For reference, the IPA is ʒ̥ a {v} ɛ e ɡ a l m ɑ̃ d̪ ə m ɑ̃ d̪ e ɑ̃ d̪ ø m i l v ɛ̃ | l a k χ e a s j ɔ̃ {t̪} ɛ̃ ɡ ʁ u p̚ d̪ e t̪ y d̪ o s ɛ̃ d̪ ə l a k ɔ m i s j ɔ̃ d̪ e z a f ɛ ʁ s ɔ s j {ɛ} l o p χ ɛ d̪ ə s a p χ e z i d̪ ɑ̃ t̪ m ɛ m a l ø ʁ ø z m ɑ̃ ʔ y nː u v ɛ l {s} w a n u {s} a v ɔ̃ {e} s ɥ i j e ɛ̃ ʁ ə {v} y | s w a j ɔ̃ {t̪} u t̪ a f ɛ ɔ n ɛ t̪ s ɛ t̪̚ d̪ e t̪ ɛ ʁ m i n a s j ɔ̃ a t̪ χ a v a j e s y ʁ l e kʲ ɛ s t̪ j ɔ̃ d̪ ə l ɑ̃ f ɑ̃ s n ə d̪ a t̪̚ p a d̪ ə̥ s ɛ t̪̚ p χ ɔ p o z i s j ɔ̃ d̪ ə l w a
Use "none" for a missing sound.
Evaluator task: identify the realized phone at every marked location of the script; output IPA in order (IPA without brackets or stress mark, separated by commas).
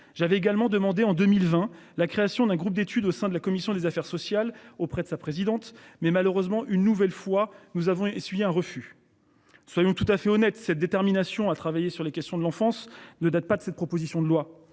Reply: v, d̪, a, f, z, e, f, t̪